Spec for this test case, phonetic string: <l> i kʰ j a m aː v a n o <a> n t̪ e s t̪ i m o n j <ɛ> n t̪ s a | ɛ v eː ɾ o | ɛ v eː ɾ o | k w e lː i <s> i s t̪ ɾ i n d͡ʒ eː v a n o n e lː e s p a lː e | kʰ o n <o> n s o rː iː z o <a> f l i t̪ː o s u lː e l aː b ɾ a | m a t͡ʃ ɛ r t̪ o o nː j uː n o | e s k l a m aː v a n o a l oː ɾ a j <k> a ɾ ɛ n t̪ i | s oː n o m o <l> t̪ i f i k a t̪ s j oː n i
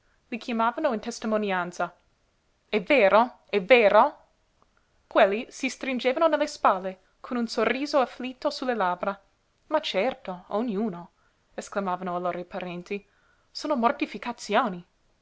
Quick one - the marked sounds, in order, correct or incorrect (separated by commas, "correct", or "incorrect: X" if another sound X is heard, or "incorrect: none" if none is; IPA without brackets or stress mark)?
correct, incorrect: i, incorrect: a, correct, incorrect: u, correct, incorrect: p, incorrect: r